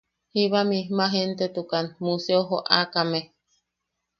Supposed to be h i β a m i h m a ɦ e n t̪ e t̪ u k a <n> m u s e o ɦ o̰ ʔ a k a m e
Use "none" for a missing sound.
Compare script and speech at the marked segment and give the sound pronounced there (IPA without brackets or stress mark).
n